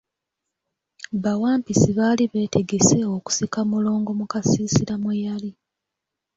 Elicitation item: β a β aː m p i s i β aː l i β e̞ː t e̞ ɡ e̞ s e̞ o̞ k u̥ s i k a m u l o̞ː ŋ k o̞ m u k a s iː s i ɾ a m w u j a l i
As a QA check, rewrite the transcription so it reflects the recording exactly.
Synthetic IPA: β a w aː m p i s i β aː l i β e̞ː t e̞ ɡ e̞ s e̞ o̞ k u̥ s i k a m u l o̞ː ŋ ɡ o̞ m u k a s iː s i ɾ a m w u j a l i